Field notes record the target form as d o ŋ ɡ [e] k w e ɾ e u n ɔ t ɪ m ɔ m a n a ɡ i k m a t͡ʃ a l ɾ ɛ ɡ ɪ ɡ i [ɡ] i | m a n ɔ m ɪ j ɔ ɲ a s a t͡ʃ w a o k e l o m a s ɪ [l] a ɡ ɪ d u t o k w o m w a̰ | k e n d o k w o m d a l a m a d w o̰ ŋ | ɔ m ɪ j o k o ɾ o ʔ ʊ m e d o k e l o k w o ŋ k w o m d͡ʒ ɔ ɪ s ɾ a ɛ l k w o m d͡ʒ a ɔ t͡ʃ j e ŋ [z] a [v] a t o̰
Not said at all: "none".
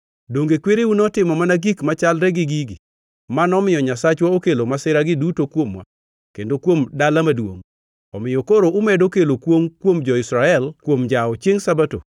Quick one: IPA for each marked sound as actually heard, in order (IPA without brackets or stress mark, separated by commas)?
e, ɡ, ɾ, s, b